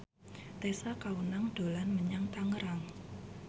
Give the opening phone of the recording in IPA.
t̪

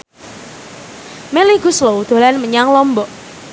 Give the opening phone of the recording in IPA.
m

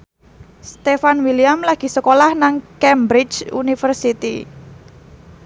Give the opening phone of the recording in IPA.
s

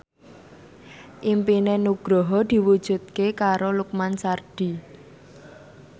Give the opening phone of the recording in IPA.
ʔ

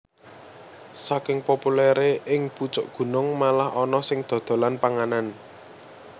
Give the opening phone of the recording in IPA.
s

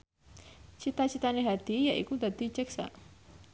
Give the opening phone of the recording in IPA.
t͡ʃ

